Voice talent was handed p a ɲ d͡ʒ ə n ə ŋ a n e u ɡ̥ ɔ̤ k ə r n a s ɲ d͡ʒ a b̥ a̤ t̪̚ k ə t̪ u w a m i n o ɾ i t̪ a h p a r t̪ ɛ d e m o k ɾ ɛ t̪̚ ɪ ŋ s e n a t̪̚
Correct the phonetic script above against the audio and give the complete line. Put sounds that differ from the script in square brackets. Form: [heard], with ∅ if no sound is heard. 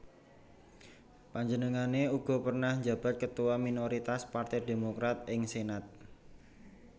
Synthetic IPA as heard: p a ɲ d͡ʒ ə n ə ŋ a n e u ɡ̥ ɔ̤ [p] ə r n a [h] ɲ d͡ʒ a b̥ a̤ t̪̚ k ə t̪ u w a m i n o ɾ i t̪ a [s] p a r t̪ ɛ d e m o k ɾ [a] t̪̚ ɪ ŋ s e n a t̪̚